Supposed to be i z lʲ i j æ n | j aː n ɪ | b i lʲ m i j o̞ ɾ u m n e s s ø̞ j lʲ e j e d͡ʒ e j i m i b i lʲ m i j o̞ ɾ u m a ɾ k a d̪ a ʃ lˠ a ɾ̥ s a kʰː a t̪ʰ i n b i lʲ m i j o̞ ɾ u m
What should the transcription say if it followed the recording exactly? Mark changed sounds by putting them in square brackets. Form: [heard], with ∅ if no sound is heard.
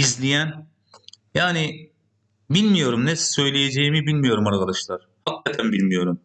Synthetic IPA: i z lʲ i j æ n | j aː n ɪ | b i lʲ m i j o̞ ɾ u m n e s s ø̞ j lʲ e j e d͡ʒ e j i m i b i lʲ m i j o̞ ɾ u m a ɾ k a d̪ a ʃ lˠ a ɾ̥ [h] a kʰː a t̪ʰ [æ] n b i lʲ m i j o̞ ɾ u m